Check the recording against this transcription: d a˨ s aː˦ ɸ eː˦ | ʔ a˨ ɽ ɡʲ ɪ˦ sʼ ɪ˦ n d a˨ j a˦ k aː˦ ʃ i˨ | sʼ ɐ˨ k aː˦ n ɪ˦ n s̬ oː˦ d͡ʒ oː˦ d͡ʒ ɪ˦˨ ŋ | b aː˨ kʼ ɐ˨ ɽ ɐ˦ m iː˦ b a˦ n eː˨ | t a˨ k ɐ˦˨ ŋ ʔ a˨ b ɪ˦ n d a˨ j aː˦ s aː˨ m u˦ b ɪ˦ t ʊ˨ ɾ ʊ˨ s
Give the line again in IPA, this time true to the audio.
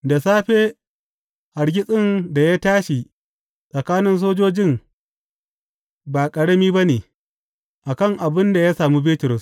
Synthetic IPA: d a˨ s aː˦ ɸ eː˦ | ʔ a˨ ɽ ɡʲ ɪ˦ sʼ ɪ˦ n d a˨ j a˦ t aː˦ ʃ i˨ | sʼ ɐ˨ k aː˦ n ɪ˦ n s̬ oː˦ d͡ʒ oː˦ d͡ʒ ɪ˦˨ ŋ | b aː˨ kʼ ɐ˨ ɽ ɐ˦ m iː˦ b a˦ n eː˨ | ʔ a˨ k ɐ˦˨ ŋ ʔ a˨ b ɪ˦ n d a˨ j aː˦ s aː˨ m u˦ b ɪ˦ t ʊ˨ ɾ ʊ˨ s